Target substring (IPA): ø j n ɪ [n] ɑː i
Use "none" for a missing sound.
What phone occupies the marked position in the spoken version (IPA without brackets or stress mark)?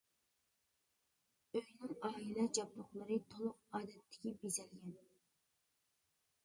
ŋ